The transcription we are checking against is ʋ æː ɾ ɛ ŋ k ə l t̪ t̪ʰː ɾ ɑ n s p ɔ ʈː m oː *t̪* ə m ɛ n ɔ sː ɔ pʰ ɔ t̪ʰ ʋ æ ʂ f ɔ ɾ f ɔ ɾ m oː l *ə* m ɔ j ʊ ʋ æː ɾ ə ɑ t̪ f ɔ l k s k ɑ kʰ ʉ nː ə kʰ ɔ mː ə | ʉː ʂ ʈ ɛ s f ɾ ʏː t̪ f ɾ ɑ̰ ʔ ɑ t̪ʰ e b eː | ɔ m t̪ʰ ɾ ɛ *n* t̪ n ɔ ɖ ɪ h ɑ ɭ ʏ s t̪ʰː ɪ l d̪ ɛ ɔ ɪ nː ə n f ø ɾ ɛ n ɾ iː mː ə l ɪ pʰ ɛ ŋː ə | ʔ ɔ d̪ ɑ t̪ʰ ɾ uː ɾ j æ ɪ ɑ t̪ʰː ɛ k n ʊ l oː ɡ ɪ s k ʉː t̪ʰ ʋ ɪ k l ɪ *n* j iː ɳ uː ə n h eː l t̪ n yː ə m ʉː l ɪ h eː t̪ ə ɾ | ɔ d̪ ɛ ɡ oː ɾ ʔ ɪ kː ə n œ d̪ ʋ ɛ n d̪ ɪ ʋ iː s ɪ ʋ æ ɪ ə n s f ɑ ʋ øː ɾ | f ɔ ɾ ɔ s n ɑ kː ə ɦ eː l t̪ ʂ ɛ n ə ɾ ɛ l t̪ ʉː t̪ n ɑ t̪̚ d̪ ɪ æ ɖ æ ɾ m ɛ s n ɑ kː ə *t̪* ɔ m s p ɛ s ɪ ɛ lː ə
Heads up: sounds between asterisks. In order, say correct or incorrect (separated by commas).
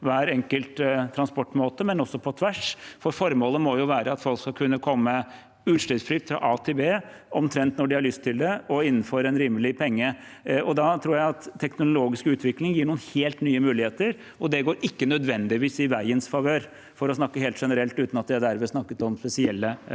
correct, correct, correct, incorrect, correct